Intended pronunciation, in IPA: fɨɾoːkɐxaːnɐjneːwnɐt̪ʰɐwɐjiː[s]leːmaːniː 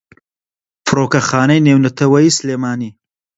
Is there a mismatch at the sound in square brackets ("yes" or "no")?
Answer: no